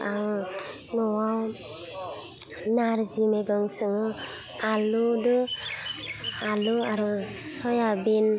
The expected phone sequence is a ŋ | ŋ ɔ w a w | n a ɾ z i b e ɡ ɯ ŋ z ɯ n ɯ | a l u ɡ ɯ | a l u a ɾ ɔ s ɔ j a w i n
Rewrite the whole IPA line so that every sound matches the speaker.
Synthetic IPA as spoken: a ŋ | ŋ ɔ w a w | n a ɾ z i m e ɡ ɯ ŋ s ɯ ŋ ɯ | a l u d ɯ | a l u a ɾ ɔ s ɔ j a b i n